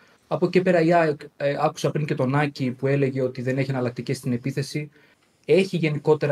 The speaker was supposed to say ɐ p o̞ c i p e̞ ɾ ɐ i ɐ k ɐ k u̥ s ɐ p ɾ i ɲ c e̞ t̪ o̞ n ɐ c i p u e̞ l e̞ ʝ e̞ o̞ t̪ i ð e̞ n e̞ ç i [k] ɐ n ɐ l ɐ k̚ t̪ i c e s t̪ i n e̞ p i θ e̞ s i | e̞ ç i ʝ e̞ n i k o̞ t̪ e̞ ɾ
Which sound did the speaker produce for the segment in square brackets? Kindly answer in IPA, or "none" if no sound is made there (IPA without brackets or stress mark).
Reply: none